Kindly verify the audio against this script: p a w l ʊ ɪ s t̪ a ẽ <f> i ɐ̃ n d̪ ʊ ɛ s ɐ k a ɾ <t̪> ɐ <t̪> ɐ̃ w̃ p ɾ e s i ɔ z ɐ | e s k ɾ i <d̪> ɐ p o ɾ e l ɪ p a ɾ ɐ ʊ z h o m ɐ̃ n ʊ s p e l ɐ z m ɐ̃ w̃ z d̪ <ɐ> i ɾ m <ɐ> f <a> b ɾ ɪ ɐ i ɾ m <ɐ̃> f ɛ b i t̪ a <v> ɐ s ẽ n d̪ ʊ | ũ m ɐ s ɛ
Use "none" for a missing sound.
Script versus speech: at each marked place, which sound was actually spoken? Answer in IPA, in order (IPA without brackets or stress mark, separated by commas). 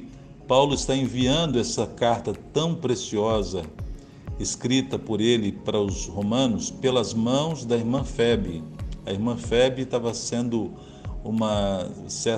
v, t̪, t̪, t̪, ɐ, ɐ̃, ɛ, ɐ̃, v